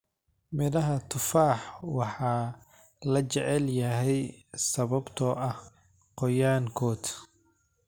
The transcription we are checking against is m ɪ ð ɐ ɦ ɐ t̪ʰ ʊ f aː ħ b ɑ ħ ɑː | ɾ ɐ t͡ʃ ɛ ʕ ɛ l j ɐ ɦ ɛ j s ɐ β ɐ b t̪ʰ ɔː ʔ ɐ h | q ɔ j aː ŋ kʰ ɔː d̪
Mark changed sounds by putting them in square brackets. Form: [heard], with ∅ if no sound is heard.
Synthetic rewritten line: m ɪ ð ɐ ɦ ɐ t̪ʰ ʊ f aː ħ [w] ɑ ħ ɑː | [l] ɐ t͡ʃ ɛ ʕ ɛ l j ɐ ɦ ɛ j s ɐ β ɐ b t̪ʰ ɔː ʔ ɐ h | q ɔ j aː ŋ kʰ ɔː d̪